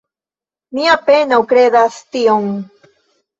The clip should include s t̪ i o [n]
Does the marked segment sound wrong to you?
yes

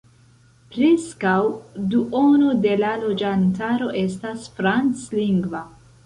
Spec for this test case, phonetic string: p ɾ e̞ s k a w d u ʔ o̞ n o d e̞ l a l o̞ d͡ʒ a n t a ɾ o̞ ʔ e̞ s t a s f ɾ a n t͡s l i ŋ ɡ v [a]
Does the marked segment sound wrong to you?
no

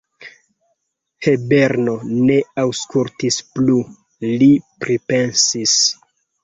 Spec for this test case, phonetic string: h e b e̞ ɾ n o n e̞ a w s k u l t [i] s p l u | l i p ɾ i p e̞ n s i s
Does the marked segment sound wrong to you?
no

